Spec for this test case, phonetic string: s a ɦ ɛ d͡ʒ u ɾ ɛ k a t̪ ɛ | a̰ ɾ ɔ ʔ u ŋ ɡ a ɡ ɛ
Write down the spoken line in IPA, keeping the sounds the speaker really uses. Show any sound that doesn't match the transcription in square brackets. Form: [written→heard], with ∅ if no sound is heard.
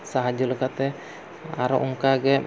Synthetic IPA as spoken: s a ɦ [ɛ→a] d͡ʒ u [ɾ→l] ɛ k a t̪ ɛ | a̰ ɾ ɔ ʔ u ŋ [ɡ→k] a ɡ ɛ